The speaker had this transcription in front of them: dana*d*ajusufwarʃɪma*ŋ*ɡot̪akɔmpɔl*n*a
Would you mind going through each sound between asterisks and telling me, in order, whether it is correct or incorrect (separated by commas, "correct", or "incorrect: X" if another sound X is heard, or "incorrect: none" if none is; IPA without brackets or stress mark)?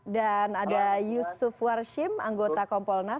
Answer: correct, correct, correct